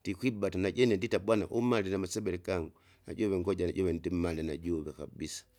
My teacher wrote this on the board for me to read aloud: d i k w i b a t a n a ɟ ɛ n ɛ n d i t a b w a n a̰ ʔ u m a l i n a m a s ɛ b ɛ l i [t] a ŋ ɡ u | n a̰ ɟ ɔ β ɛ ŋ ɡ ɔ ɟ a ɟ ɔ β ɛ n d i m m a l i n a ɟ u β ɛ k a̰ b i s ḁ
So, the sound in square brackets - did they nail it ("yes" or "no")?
no